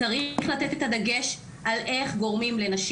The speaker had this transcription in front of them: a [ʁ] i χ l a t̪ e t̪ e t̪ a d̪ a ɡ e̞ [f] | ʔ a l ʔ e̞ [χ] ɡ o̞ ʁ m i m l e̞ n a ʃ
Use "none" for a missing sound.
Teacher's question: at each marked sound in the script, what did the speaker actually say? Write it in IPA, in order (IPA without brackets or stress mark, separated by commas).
ʁ, ʃ, χ